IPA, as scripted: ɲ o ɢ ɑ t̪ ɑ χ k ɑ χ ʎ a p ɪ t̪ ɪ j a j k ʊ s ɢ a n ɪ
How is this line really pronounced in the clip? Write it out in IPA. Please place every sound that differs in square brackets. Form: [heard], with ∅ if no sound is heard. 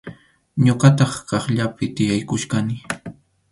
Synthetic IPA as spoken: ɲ o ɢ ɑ t̪ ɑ χ k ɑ χ ʎ a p ɪ t̪ ɪ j a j k ʊ [ʃ] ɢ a n ɪ